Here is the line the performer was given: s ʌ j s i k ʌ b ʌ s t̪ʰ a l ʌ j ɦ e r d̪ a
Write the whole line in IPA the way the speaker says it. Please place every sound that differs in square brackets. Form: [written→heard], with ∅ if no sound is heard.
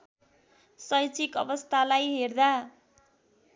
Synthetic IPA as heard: s ʌ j [s→t͡s] i k ʌ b ʌ s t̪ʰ a l [ʌ→a] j ɦ e r d̪ a